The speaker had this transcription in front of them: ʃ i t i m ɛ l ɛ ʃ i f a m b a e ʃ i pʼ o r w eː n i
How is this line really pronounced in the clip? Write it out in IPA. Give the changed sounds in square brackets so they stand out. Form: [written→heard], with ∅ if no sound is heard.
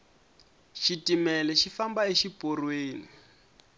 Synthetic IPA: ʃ i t i m ɛ l ɛ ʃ i f a m b a e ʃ i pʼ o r w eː n i